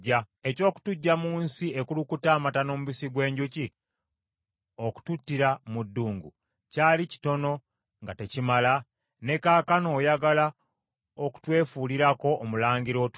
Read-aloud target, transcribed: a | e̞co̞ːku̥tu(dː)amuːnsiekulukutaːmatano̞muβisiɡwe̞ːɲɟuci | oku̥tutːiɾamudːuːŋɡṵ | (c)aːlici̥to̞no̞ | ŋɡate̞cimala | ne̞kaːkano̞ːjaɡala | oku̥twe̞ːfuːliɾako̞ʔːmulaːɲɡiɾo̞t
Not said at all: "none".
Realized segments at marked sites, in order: ɟː, c

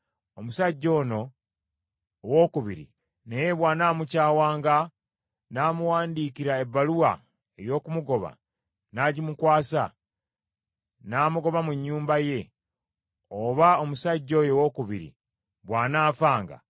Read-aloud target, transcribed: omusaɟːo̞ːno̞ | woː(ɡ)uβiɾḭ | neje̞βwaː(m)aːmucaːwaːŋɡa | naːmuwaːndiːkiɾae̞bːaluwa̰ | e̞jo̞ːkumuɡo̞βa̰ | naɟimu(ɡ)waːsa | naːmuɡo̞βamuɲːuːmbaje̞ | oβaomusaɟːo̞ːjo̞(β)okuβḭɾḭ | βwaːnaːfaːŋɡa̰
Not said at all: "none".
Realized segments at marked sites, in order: k, n, k, w

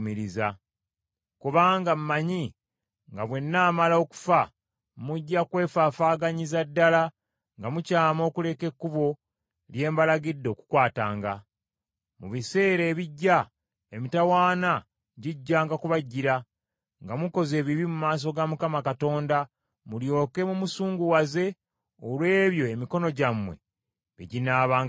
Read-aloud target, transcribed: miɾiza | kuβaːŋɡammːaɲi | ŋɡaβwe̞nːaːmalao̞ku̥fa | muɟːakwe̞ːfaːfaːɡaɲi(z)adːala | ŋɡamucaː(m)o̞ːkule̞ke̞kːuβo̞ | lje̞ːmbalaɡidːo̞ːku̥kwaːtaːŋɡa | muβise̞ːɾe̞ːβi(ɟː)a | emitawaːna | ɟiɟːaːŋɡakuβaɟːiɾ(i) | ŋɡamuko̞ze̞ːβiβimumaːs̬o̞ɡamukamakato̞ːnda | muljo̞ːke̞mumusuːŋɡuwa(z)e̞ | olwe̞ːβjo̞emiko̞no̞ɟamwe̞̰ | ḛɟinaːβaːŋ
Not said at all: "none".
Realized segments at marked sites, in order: z, m, ɟː, a, z

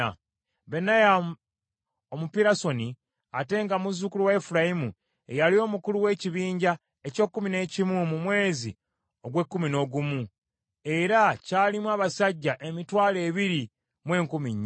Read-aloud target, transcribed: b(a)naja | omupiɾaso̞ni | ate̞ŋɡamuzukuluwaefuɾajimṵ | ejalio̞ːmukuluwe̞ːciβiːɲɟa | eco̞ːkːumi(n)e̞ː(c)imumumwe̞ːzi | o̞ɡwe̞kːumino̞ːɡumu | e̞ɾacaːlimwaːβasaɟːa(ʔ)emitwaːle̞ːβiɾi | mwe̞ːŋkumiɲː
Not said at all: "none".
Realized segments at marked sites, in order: e, n, c, ʔ

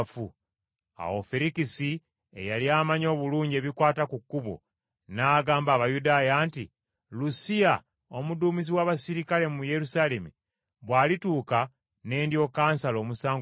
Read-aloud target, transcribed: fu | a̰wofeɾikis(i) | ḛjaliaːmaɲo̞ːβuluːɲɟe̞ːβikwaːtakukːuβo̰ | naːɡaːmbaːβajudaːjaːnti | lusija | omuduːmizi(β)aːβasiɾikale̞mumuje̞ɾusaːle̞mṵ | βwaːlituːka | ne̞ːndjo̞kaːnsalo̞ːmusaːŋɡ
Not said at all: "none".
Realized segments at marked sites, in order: i, w

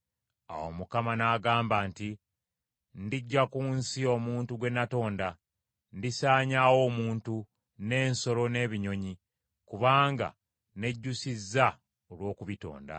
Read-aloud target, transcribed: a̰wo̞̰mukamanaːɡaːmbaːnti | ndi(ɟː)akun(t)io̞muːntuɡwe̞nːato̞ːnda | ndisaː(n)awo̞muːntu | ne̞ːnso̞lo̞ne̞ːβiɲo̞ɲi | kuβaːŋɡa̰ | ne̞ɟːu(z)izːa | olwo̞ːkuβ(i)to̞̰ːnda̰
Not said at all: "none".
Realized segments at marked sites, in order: ɟː, s, ɲ, s, i

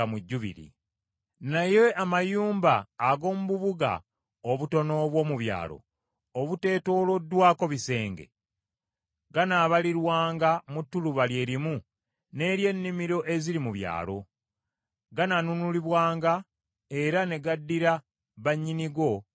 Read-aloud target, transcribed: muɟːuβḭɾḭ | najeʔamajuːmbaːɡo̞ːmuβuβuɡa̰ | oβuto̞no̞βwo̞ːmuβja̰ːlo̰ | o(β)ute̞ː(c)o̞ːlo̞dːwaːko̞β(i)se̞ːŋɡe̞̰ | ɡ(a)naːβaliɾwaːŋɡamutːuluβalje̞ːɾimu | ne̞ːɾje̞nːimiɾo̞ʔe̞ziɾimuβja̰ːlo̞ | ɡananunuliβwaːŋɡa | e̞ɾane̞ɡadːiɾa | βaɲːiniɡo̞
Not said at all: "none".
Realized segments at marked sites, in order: β, t, i, a

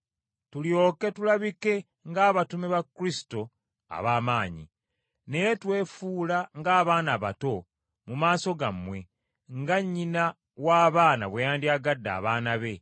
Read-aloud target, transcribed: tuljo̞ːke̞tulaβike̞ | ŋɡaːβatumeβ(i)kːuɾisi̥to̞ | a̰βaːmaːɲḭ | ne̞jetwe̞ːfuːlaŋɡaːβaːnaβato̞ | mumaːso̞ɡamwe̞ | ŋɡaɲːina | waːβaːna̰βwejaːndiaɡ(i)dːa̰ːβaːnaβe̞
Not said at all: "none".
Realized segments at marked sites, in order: a, a

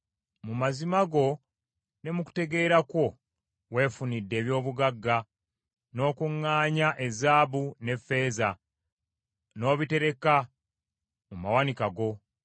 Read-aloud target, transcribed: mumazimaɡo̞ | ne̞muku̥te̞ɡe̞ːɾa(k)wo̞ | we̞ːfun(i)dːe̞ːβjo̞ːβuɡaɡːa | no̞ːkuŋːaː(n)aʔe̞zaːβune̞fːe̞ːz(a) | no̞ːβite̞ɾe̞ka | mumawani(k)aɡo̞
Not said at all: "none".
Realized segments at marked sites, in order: k, i, ɲ, a, k

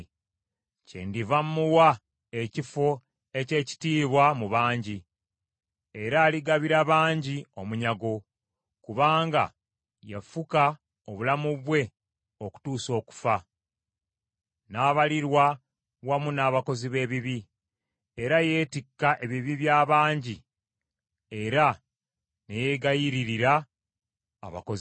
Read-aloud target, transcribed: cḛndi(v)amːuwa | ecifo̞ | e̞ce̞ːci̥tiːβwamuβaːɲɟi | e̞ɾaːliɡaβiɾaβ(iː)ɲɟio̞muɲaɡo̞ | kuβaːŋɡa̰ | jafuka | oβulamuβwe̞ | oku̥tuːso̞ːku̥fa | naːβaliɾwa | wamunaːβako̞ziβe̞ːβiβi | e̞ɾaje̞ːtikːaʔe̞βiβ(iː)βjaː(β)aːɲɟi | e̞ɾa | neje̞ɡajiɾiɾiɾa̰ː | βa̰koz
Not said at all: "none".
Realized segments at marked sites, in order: v, aː, i, β

